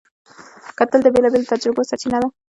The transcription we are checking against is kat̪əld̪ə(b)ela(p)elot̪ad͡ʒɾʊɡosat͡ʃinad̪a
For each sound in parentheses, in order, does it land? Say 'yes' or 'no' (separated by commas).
yes, no